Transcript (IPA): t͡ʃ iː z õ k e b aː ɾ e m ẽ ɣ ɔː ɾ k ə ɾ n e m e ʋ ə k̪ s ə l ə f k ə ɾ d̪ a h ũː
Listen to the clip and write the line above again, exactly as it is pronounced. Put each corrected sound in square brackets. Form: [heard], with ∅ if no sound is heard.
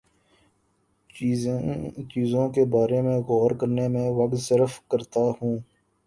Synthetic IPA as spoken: t͡ʃ iː z õ k e b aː ɾ e m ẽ ɣ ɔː ɾ k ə ɾ n e m [ẽ] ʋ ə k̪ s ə [ɾ] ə f k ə ɾ [t̪] a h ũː